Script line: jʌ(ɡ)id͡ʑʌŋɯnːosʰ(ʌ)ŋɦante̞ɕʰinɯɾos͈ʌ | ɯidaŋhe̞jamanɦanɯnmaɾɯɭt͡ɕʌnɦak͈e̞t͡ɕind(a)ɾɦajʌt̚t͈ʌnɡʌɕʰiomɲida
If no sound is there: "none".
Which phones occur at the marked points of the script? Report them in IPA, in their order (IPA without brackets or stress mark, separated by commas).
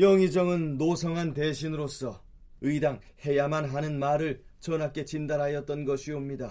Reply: ŋ, ʌ, a